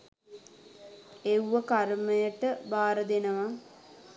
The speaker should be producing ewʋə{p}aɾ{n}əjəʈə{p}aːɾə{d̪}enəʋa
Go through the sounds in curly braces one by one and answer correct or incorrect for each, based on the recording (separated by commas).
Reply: incorrect, incorrect, incorrect, correct